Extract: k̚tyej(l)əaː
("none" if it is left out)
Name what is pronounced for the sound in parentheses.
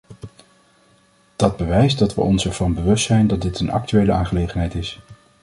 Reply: l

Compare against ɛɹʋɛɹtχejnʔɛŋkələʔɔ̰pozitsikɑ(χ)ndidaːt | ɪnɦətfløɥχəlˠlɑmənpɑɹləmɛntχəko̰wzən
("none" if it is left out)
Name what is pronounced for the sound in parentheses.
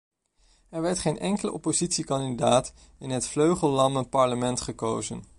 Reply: none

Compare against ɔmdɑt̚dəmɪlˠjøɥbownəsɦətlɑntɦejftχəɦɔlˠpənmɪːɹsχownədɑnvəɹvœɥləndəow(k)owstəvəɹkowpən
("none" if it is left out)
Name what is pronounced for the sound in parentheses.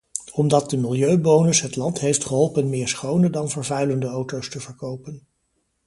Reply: t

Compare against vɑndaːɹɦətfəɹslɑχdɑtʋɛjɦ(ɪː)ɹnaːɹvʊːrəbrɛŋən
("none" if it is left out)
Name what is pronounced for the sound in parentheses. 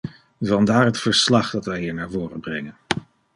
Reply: iː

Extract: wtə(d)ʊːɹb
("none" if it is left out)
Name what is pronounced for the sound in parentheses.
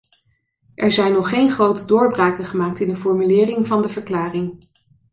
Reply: d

